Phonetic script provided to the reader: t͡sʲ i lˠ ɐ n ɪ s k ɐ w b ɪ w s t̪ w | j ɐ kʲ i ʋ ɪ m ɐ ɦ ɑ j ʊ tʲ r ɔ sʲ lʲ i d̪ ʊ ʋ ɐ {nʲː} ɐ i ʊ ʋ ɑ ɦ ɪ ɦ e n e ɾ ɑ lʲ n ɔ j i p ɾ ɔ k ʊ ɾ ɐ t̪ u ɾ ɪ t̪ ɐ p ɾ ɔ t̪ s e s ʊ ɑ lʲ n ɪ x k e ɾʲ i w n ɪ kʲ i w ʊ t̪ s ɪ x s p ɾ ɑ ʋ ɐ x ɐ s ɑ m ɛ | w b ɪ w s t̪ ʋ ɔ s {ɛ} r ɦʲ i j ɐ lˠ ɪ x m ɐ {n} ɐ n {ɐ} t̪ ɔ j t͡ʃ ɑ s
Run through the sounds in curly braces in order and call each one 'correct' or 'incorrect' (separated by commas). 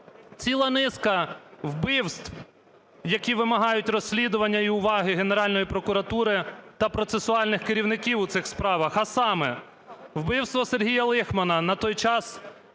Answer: correct, incorrect, correct, correct